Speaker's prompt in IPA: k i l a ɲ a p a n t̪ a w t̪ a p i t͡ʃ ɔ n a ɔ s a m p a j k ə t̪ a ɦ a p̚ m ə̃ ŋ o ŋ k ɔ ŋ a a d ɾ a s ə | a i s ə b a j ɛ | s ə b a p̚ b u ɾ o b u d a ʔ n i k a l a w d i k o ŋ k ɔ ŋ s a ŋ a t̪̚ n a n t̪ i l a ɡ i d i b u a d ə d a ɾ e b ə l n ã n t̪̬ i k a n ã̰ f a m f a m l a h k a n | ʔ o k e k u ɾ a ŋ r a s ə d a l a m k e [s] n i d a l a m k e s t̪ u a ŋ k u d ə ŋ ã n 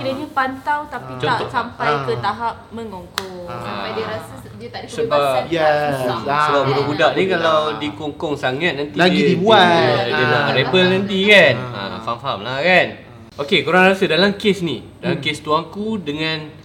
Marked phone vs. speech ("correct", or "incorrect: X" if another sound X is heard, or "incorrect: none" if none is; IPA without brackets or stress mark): correct